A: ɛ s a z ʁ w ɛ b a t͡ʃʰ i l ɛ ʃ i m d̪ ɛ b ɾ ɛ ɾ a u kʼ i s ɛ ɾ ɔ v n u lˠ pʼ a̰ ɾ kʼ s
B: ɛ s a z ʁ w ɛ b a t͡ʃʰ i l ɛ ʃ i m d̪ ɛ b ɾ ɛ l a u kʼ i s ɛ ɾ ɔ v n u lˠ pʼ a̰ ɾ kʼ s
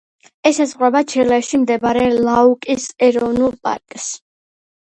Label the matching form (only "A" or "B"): B